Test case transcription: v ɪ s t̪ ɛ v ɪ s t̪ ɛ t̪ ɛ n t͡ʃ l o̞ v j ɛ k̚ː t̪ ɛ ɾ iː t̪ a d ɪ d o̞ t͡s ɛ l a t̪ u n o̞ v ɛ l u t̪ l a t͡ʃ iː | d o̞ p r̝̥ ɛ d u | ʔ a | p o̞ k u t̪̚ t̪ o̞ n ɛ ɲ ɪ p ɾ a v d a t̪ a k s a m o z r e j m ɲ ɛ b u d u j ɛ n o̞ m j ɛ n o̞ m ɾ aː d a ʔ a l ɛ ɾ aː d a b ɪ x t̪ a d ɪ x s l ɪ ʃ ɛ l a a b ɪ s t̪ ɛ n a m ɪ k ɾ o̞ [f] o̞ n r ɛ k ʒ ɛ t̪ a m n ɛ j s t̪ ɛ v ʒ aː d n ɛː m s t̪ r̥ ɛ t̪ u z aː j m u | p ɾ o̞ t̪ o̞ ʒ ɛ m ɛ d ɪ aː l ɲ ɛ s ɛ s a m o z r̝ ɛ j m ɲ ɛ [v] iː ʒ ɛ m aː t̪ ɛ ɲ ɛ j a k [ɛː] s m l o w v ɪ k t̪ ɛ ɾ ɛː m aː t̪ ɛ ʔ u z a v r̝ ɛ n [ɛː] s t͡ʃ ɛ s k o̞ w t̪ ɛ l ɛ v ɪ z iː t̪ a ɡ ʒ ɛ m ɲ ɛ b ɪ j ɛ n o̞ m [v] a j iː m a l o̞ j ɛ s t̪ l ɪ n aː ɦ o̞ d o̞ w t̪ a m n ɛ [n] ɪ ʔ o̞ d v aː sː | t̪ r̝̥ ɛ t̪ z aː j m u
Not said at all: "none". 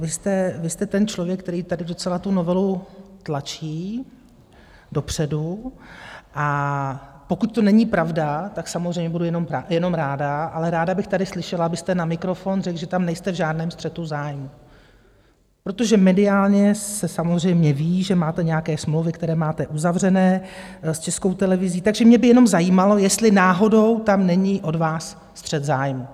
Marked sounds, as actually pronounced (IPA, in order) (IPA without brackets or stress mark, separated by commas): f, v, ɛː, ɛː, z, ɲ